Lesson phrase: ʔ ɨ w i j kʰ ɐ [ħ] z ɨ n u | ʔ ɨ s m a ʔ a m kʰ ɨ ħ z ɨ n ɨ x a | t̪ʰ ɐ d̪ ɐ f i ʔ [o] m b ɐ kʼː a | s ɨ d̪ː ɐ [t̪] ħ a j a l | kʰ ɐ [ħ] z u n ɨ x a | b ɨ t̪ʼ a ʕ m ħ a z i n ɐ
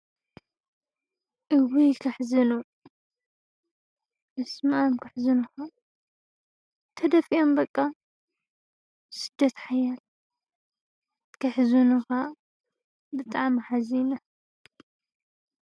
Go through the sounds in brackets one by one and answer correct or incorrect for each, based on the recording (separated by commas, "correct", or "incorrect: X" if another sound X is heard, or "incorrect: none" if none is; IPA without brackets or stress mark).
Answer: correct, correct, correct, correct